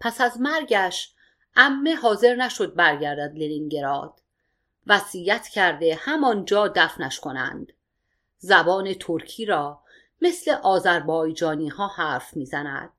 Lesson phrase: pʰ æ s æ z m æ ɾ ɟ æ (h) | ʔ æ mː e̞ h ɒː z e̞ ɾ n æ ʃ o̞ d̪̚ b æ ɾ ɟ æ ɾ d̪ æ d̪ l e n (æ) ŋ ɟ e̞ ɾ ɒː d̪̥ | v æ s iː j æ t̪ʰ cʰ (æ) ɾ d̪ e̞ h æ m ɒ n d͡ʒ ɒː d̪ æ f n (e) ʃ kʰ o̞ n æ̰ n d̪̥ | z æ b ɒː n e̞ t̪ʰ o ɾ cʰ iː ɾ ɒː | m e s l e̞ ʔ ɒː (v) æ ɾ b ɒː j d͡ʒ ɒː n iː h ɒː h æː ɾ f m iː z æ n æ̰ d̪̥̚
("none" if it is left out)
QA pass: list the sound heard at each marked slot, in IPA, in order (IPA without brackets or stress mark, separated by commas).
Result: ʃ, i, æ, æ, z